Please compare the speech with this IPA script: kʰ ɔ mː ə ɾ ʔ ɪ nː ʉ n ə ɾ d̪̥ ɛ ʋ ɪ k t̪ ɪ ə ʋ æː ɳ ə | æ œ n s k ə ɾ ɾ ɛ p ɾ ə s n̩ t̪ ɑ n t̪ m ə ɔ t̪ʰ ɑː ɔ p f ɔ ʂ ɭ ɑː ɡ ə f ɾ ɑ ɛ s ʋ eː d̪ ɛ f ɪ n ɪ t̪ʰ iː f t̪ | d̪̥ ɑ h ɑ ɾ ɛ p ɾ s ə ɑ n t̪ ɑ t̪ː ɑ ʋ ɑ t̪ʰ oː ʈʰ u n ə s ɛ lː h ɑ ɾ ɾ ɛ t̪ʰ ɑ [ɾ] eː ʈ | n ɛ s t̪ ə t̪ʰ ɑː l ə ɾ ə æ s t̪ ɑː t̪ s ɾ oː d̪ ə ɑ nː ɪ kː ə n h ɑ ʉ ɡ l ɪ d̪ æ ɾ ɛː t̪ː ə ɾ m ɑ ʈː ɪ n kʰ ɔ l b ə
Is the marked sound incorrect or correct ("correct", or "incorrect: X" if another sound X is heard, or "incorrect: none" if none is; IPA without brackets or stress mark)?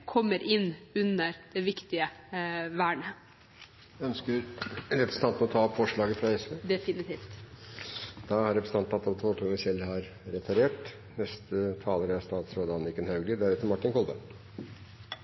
correct